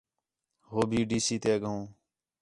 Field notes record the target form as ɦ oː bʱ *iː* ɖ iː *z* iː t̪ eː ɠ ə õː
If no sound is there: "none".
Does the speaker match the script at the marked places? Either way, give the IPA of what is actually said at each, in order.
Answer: iː, s

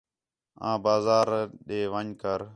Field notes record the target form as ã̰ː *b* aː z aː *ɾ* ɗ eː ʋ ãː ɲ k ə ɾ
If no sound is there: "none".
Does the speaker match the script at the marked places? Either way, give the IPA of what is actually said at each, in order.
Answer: b, ɾ

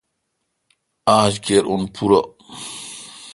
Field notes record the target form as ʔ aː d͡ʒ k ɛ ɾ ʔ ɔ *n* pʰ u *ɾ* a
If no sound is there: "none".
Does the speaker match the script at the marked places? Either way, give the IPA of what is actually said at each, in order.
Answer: n, ɾ

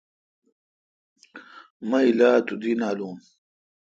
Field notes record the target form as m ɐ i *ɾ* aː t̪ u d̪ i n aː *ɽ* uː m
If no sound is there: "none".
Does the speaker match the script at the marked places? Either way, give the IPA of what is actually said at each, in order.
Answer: l, l

